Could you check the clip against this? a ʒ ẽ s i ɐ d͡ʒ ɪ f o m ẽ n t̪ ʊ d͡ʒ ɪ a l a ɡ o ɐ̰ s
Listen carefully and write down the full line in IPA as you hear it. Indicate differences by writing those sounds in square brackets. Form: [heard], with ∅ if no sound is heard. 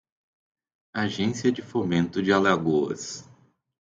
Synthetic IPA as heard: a ʒ ẽ s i ɐ d͡ʒ ɪ f o m ẽ n t̪ ʊ d͡ʒ ɪ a l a ɡ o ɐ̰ s